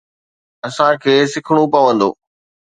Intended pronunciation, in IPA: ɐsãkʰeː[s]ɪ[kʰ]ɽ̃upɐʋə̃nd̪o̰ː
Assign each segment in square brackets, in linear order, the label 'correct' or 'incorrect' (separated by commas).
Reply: correct, correct